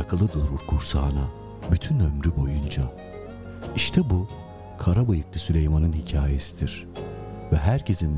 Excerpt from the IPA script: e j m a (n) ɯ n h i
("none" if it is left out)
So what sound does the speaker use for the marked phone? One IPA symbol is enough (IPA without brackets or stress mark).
n